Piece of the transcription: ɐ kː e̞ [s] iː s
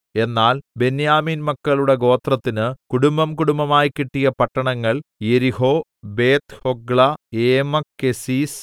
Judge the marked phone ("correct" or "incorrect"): correct